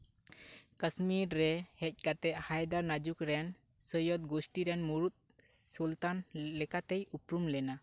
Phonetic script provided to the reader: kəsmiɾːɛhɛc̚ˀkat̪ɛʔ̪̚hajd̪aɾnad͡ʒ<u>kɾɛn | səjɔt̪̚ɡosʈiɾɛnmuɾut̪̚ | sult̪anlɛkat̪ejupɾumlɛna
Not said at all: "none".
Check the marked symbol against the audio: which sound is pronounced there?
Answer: u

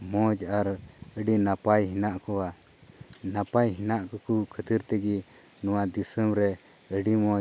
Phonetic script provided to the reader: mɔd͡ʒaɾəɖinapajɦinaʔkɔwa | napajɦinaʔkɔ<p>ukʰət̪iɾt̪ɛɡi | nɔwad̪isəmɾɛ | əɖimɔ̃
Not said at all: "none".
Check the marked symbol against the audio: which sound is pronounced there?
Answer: k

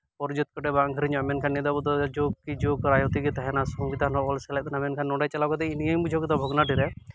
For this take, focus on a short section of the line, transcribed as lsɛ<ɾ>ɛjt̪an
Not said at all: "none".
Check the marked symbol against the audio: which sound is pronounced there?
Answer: l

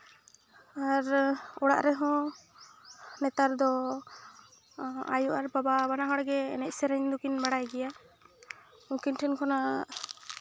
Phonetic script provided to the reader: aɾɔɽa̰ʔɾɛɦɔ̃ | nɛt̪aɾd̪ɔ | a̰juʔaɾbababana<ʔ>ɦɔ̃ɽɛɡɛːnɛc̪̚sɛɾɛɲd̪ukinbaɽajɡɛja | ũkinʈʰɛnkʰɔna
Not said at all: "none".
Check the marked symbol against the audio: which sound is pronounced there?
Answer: none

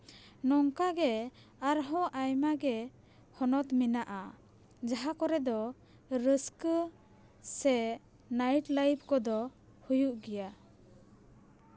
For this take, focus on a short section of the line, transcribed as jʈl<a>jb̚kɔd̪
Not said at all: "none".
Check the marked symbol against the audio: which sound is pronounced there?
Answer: a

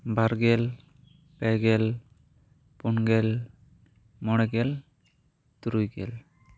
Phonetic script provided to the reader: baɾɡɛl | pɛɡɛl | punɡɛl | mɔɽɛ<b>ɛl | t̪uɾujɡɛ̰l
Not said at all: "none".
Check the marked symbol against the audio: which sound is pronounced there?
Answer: ɡ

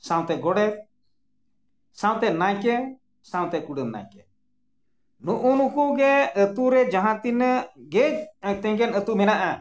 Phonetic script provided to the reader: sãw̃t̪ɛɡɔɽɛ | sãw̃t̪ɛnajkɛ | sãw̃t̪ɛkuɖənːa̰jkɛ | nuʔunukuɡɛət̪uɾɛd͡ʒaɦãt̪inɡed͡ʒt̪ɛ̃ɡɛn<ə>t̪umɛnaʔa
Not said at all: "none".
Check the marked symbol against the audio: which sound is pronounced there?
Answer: ə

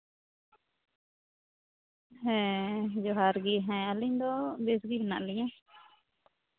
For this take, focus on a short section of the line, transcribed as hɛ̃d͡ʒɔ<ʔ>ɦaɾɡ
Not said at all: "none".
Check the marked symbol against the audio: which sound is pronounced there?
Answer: none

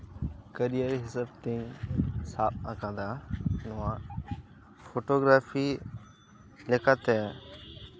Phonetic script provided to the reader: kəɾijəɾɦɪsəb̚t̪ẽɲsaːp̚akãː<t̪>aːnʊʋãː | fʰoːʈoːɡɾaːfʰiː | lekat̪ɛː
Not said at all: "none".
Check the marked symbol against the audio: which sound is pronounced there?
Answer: d̪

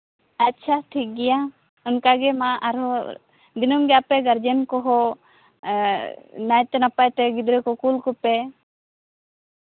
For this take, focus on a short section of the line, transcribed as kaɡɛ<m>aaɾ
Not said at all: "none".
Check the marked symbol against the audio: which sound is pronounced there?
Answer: m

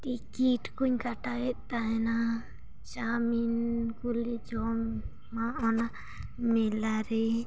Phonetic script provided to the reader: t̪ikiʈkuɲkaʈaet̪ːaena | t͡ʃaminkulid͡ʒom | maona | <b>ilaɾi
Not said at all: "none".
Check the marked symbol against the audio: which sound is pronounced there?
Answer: m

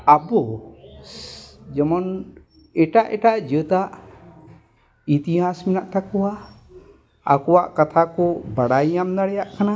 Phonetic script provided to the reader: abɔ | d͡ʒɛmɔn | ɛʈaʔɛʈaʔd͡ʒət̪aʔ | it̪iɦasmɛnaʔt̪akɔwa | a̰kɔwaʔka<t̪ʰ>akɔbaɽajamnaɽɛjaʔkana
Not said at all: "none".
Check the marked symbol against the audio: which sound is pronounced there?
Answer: t̪ʰ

